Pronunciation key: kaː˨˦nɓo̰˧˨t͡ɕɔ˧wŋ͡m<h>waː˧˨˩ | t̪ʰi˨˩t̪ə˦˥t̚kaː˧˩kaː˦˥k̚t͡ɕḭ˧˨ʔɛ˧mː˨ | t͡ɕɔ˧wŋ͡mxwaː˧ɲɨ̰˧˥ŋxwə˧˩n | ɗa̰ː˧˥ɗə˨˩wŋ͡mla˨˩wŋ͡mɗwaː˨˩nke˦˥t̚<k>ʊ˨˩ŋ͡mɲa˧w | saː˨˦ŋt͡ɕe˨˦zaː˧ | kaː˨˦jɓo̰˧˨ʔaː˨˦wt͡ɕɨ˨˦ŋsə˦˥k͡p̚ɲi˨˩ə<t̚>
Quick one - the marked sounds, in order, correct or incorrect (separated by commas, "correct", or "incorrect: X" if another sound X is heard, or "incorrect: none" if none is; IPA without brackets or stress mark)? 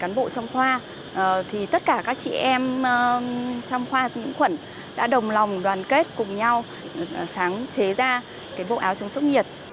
incorrect: x, correct, correct